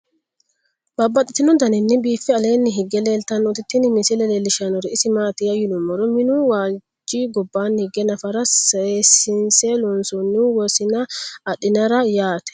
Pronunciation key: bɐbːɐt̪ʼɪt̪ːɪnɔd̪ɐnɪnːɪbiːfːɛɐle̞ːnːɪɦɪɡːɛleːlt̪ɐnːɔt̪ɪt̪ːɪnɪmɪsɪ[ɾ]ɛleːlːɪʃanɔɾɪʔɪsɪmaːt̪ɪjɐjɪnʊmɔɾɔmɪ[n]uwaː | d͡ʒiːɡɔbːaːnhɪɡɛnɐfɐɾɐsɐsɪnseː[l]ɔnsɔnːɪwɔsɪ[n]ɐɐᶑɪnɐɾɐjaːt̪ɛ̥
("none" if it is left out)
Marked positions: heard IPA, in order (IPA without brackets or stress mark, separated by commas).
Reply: l, n, l, n